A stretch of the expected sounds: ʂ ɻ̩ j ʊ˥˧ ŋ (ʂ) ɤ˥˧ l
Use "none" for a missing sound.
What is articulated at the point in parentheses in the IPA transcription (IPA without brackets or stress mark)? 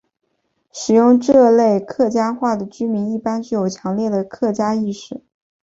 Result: ʈ͡ʂ